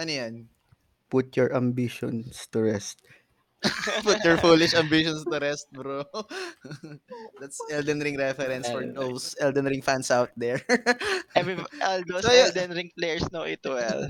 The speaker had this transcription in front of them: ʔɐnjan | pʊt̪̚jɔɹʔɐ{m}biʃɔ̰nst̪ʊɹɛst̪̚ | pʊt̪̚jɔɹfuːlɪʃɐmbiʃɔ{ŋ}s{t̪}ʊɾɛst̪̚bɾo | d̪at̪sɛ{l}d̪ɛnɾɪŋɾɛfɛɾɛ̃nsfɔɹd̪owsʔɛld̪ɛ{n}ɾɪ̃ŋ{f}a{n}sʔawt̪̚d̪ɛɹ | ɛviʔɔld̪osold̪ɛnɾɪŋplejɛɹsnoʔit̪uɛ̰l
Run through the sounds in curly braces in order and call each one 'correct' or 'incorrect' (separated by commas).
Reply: correct, incorrect, correct, correct, correct, correct, correct